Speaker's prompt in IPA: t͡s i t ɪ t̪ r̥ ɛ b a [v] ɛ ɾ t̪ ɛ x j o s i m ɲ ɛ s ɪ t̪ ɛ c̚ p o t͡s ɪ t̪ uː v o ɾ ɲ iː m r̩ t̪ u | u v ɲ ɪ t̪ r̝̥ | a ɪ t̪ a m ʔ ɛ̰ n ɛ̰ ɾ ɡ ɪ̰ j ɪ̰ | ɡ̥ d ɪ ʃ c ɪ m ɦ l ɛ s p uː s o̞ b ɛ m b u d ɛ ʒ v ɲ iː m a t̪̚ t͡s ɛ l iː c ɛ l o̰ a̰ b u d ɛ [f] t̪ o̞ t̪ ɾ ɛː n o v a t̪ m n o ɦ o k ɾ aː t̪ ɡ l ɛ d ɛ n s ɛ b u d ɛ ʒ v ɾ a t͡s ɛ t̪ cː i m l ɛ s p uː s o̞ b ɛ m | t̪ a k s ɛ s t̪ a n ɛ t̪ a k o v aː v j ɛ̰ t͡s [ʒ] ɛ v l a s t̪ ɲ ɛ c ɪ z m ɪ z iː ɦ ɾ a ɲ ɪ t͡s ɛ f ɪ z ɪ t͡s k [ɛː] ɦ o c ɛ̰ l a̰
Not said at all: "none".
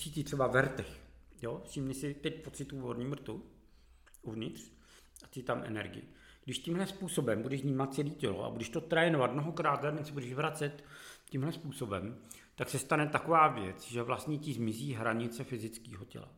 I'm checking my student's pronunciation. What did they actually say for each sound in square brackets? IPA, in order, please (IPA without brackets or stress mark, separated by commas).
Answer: v, ʃ, ʒ, iː